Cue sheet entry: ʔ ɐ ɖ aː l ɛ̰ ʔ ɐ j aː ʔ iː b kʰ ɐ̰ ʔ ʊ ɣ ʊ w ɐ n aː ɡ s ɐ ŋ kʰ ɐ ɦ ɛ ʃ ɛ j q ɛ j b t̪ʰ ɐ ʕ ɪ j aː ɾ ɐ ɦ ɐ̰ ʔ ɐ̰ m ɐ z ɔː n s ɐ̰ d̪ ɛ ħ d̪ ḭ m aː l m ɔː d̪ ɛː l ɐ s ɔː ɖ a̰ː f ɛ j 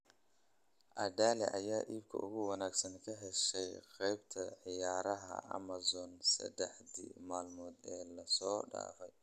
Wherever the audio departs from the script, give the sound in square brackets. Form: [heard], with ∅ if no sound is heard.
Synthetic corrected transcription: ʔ ɐ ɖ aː l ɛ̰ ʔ ɐ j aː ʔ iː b kʰ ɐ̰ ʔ ʊ ɣ ʊ w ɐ n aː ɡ s ɐ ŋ kʰ ɐ ɦ ɛ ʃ ɛ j q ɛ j b t̪ʰ ɐ ʕ ɪ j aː ɾ ɐ ɦ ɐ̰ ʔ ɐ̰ m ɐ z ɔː n s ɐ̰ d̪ ɛ ħ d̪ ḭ m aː l m ɔː d̪ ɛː l ɐ s ɔː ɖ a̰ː f ɛ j